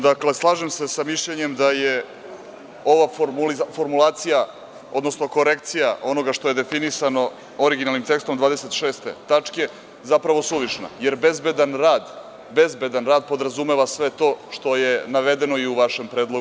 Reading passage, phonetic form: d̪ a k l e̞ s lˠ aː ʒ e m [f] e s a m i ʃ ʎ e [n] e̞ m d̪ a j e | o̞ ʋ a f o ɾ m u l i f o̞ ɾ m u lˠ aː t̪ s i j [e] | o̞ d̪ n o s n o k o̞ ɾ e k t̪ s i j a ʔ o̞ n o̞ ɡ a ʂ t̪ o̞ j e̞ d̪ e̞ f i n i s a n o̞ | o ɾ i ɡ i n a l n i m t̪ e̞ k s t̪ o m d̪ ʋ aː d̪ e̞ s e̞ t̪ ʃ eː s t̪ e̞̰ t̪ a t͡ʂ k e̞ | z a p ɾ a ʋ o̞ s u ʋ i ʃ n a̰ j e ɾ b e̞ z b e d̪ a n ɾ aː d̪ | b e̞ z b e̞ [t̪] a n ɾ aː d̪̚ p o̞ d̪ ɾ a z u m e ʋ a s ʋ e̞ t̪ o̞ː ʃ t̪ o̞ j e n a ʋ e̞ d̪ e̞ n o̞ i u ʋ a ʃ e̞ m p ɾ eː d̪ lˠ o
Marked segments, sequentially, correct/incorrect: incorrect: s, incorrect: ɲ, incorrect: a, incorrect: d̪

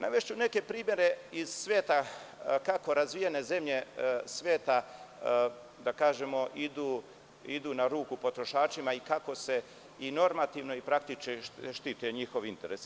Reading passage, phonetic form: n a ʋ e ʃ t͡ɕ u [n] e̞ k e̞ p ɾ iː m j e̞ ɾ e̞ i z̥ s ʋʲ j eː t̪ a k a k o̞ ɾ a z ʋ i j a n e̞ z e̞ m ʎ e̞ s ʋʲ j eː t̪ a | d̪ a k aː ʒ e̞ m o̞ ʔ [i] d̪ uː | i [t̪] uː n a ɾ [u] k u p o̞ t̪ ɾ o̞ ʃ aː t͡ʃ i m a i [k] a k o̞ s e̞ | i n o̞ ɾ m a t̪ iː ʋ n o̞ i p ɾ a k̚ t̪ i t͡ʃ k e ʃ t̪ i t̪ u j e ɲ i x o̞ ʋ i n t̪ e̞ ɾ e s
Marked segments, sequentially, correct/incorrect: correct, correct, incorrect: d̪, incorrect: uː, correct

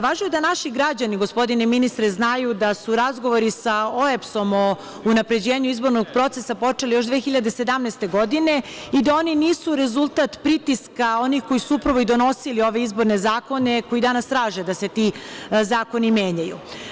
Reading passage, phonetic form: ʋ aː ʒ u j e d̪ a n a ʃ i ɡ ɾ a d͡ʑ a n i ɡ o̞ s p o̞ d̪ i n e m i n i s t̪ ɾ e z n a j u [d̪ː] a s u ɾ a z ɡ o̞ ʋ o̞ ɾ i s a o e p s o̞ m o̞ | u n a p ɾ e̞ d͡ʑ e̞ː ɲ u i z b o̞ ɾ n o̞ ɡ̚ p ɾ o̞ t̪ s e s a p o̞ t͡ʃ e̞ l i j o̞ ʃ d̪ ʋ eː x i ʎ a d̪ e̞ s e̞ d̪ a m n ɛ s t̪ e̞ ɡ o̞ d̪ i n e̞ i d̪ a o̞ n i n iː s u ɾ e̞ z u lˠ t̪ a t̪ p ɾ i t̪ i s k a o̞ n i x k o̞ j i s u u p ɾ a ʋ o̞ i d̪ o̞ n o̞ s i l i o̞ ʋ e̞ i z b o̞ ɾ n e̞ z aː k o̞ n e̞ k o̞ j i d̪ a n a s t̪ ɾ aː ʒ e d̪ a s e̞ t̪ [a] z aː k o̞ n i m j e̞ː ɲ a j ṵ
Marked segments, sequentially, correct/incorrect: incorrect: d̪, incorrect: i

